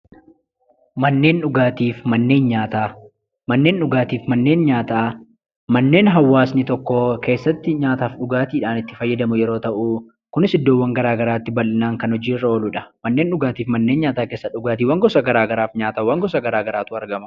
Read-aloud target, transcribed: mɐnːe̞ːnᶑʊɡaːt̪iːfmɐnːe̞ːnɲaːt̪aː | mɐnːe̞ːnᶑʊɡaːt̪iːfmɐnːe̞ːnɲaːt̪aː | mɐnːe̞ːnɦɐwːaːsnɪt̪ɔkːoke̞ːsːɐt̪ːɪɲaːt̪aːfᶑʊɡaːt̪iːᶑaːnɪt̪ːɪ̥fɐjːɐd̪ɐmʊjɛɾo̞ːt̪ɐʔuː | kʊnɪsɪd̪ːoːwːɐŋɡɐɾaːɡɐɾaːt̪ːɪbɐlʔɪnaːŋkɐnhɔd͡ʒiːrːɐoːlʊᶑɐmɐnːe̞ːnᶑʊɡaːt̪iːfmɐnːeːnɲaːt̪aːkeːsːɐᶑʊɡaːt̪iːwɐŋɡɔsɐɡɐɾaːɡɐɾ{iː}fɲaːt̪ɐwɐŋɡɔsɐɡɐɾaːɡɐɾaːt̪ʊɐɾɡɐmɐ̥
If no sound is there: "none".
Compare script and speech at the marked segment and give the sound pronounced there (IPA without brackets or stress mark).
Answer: aː